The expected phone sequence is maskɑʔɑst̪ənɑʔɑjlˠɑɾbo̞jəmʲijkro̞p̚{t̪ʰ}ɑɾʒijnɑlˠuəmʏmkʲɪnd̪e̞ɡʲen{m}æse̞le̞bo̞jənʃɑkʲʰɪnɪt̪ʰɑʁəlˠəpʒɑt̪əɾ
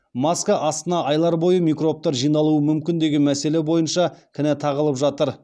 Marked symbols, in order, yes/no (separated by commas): no, yes